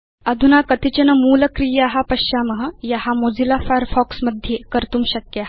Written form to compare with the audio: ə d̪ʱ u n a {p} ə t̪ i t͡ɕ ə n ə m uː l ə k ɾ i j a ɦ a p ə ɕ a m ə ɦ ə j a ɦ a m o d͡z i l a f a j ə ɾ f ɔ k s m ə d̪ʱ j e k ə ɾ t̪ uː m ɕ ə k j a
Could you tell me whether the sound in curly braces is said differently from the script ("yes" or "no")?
yes